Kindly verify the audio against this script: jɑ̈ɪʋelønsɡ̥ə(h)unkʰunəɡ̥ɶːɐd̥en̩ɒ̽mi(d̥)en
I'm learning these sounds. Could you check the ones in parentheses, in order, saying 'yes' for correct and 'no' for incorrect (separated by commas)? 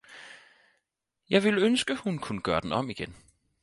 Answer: yes, no